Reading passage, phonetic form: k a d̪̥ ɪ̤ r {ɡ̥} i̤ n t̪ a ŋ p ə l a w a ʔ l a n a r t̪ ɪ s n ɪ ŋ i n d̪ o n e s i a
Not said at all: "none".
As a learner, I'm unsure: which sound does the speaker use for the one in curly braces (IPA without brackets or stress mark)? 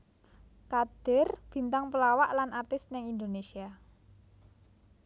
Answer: b̥